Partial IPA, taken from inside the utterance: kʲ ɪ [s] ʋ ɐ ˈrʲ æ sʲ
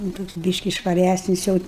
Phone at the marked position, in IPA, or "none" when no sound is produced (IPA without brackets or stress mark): ʃ